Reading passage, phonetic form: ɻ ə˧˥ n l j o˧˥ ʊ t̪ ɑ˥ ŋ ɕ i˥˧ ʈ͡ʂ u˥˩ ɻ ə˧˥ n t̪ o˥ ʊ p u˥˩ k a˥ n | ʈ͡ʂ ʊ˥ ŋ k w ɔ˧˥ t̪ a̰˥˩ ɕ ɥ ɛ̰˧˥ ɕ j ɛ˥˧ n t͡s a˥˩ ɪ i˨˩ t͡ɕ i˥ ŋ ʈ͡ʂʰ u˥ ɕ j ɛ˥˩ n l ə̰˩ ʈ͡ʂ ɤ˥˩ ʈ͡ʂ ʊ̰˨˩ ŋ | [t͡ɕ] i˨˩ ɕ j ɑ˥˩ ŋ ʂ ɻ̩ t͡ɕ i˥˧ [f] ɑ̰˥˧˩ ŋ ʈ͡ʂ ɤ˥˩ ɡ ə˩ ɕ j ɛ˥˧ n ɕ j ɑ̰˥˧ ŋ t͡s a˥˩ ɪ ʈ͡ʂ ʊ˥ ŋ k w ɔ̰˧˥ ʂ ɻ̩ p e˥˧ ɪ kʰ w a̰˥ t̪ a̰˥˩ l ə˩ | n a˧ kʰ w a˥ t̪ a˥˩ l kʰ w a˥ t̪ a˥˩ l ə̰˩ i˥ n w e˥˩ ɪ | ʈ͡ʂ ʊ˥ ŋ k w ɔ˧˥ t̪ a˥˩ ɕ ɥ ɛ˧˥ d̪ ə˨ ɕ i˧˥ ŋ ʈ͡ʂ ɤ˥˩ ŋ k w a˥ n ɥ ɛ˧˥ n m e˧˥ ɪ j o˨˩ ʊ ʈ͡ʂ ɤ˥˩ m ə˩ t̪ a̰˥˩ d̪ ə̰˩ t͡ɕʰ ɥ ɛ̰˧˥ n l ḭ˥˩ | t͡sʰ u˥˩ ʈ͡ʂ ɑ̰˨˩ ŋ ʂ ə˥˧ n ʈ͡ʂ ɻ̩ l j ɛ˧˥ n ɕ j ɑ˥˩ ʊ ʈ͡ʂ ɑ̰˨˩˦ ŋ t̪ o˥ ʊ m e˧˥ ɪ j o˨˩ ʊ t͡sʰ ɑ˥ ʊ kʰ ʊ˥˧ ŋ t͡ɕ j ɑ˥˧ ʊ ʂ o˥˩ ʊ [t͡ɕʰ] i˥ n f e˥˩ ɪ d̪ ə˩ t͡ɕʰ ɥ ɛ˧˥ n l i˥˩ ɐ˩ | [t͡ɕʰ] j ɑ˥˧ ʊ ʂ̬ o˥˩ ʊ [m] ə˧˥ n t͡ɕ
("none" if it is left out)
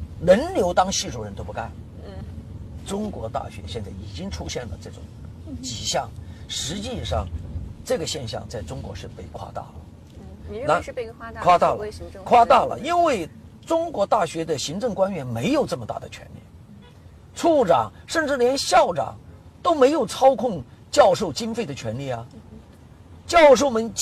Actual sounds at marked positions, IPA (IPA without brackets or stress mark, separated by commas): t͡ɕ, ʂ, t͡ɕ, t͡ɕ, m